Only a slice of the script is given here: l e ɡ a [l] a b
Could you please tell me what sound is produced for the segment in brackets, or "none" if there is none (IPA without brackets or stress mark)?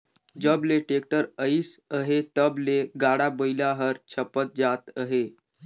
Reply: ɽ